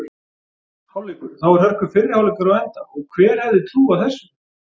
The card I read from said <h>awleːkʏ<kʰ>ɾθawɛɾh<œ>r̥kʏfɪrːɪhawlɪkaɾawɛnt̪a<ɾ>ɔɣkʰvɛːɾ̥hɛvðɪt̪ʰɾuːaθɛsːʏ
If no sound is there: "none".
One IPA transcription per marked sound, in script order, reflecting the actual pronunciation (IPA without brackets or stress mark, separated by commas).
h, none, œ, none